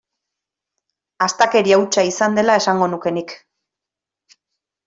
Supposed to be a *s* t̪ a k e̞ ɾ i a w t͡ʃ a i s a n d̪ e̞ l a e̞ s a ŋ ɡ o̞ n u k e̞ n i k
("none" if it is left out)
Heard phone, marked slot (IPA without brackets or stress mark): s